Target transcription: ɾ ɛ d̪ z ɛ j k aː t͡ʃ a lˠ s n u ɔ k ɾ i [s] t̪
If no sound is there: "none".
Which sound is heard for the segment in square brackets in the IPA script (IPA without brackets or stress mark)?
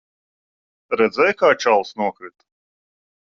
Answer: none